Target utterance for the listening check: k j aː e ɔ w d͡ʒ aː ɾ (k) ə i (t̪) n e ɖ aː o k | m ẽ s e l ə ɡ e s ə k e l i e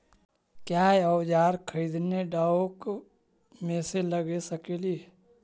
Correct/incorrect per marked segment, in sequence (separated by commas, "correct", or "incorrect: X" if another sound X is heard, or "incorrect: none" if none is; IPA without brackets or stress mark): incorrect: kʰ, incorrect: d̪